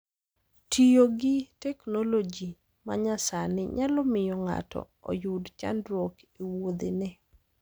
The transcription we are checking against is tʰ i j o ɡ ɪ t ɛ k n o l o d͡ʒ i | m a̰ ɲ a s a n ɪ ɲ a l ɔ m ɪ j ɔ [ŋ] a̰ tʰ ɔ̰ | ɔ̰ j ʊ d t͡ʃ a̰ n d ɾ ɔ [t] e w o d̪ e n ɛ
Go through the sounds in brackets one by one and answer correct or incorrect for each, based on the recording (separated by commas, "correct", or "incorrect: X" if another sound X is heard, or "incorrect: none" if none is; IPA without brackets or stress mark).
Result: correct, incorrect: k